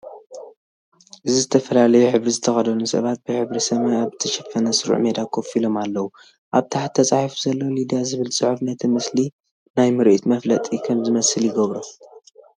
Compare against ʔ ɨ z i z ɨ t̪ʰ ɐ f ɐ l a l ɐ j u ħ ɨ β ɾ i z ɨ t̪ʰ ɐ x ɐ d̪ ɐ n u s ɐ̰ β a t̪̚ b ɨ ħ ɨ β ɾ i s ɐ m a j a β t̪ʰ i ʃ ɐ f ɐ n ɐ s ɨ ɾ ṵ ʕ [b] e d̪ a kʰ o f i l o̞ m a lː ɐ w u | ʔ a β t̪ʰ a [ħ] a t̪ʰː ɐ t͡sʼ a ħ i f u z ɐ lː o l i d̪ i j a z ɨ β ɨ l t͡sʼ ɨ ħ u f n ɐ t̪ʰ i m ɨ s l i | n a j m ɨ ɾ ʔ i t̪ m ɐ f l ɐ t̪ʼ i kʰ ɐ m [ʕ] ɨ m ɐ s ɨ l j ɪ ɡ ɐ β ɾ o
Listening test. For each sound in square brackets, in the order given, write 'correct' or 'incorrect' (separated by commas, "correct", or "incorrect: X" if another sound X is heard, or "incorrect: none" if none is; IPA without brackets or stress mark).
incorrect: m, correct, incorrect: z